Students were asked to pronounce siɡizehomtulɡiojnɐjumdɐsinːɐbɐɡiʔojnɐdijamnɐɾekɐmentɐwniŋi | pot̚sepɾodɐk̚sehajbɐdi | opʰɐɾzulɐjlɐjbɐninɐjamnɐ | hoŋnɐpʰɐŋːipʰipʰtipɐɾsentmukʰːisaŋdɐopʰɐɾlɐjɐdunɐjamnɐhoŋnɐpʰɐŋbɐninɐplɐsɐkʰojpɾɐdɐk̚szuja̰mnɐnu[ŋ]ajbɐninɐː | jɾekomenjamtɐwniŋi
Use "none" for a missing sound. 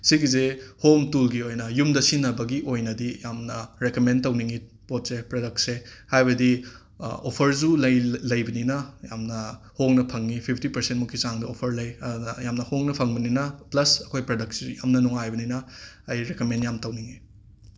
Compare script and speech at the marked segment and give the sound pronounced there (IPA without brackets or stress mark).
ŋ